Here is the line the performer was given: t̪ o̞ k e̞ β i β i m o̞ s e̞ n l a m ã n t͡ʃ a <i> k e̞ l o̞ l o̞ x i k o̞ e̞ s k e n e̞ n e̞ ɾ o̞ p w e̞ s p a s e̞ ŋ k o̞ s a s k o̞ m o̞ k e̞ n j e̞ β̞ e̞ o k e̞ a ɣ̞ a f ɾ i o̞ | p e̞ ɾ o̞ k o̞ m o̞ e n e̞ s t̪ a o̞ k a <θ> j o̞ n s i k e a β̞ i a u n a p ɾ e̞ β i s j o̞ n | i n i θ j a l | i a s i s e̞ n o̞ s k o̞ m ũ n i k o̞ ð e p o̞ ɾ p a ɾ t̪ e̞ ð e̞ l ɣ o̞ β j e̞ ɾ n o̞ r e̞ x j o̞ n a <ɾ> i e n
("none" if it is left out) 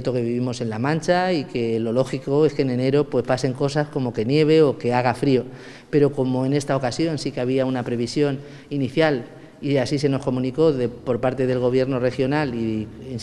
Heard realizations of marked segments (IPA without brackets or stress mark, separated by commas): i, s, l